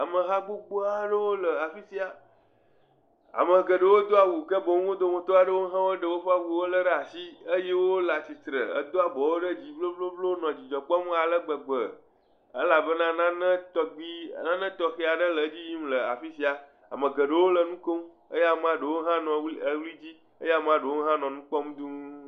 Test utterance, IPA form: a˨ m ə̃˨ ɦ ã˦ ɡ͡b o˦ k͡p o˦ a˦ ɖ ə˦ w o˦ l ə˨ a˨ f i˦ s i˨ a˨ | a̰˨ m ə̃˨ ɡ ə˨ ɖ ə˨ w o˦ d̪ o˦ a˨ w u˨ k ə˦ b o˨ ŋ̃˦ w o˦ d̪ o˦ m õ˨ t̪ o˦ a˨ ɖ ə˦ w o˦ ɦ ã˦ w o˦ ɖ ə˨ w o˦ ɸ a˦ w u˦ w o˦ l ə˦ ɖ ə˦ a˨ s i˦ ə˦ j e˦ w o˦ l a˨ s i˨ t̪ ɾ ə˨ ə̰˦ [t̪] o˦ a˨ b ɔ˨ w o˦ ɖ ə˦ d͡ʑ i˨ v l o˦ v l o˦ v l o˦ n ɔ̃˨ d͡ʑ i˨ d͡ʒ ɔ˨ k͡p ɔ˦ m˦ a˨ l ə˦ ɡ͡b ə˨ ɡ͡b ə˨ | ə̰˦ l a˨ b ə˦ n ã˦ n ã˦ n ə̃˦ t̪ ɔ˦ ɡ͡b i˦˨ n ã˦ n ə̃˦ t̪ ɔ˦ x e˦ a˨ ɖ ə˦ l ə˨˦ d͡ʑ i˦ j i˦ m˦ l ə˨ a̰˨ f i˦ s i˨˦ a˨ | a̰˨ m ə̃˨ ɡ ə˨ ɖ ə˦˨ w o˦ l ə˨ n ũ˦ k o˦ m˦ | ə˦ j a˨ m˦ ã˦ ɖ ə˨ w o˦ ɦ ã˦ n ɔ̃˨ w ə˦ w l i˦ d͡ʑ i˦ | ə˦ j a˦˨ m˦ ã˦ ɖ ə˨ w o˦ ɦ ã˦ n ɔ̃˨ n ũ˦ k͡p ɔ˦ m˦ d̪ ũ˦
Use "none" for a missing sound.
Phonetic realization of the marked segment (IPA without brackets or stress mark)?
d̪